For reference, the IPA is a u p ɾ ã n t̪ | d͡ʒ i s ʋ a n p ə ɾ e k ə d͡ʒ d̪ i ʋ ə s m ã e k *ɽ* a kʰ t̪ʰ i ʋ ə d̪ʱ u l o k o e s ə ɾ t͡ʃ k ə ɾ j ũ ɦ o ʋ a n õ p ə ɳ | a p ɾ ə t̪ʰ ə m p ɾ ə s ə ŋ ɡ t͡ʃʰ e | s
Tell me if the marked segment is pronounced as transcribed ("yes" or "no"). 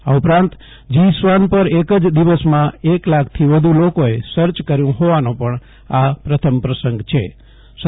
no